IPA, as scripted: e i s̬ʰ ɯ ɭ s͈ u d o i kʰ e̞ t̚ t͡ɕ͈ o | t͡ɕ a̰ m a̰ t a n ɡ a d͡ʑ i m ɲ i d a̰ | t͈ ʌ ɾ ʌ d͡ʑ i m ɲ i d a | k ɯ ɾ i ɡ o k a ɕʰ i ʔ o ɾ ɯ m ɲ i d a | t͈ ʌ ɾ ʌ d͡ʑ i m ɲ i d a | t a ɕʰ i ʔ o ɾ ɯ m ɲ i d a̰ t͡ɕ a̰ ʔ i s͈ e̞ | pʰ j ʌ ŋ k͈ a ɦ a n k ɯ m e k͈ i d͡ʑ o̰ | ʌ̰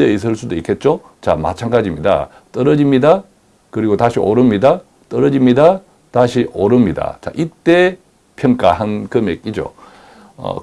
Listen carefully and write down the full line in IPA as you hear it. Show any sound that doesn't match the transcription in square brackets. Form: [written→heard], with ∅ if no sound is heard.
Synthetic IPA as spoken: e i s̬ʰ ɯ ɭ s͈ u d o i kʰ e̞ t̚ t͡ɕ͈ o | t͡ɕ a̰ m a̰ [t→t͡ɕʰ] a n ɡ a d͡ʑ i m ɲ i d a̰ | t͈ ʌ ɾ ʌ d͡ʑ i m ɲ i d a | k ɯ ɾ i ɡ o [k→t] a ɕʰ i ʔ o ɾ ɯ m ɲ i d a | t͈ ʌ ɾ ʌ d͡ʑ i m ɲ i d a | t a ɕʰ i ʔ o ɾ ɯ m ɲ i d a̰ t͡ɕ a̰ ʔ i [s͈→t͈] e̞ | pʰ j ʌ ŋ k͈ a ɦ a n k ɯ m e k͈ i d͡ʑ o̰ | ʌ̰